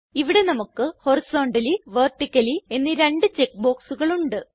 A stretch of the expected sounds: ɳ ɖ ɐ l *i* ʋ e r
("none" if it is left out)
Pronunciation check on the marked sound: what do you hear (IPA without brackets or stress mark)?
i